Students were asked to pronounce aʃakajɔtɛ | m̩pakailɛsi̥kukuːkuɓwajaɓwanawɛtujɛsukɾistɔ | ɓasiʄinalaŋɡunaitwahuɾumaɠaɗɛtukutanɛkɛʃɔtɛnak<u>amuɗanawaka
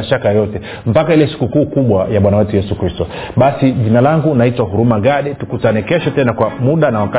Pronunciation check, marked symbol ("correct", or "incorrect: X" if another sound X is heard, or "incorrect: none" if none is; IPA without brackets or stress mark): incorrect: w